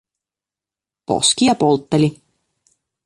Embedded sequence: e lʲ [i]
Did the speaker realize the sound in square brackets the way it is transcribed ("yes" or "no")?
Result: yes